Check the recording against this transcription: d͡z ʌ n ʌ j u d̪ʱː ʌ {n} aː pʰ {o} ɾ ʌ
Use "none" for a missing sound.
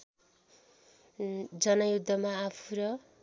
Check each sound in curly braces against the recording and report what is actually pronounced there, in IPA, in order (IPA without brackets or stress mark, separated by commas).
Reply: m, u